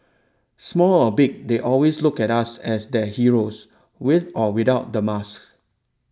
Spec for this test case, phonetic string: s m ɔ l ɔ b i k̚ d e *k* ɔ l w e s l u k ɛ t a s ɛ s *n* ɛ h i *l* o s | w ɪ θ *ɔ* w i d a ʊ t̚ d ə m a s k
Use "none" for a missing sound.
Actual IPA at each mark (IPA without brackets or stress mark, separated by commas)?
ʔ, d, ɹ, ɔ